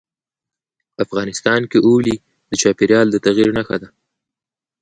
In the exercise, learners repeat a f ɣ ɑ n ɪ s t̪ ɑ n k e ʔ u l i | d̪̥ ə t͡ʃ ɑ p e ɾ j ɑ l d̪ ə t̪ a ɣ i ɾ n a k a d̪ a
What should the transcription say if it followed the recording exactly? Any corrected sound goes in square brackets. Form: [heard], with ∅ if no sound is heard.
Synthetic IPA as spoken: a f ɣ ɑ n ɪ s t̪ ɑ n k e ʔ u l i | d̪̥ ə t͡ʃ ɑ p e ɾ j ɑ l d̪ ə t̪ a ɣ i ɾ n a [x] a d̪ a